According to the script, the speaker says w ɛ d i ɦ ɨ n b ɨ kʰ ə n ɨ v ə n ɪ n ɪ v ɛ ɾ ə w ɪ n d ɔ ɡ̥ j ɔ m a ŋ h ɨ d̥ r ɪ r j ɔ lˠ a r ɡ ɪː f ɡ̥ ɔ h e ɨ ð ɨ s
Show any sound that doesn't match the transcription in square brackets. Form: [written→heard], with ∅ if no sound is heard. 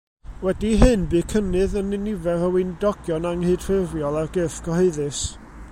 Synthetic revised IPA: w ɛ d i ɦ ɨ n b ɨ kʰ ə n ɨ [v→ð] ə n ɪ n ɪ v ɛ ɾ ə w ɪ n d ɔ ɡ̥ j ɔ [m→n] a ŋ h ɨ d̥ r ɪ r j ɔ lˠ a r ɡ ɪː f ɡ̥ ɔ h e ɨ ð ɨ s